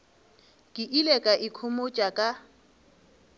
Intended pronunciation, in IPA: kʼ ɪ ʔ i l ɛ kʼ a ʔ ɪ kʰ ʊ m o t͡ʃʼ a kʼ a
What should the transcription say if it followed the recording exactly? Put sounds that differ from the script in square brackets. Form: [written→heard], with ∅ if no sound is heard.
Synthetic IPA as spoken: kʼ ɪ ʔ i l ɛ kʼ a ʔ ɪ kʰ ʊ m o t͡ʃʼ a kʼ a